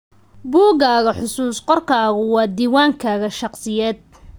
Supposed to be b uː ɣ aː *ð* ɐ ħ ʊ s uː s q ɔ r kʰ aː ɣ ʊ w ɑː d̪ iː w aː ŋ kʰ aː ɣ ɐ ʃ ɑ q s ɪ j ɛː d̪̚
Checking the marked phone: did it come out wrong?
yes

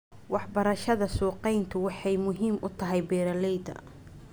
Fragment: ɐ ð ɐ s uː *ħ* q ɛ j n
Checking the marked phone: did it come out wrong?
yes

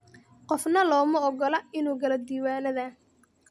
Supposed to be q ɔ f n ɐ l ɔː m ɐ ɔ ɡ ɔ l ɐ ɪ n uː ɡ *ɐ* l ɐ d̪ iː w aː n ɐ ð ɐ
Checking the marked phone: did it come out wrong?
no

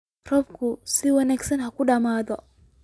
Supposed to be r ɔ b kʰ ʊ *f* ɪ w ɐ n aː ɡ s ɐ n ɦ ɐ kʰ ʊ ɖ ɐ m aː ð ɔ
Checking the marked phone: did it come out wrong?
yes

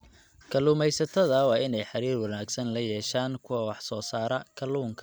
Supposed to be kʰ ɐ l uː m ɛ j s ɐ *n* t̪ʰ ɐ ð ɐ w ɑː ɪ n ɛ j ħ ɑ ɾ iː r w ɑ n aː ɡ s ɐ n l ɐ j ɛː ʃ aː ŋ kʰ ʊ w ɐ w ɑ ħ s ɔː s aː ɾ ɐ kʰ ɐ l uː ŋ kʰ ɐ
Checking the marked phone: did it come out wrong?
yes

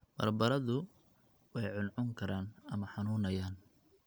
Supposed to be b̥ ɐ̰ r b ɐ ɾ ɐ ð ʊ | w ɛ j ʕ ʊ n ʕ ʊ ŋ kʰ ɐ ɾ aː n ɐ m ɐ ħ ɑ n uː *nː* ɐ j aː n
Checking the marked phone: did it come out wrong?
yes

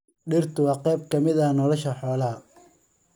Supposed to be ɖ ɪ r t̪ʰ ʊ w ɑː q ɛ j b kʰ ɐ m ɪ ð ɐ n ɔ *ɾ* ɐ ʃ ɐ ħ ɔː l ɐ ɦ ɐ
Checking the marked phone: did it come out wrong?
yes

